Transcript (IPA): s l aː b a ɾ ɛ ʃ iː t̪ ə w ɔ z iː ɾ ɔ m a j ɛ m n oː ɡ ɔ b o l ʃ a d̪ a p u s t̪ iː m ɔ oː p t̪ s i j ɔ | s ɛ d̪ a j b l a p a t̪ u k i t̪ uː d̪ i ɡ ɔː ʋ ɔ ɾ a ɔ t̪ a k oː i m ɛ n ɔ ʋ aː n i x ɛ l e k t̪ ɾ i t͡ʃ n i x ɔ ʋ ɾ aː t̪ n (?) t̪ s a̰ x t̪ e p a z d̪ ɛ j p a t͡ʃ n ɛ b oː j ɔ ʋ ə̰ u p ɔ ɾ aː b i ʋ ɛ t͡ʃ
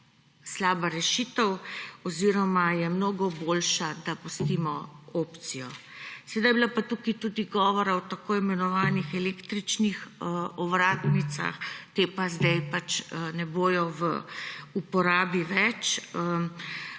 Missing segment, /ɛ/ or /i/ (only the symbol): i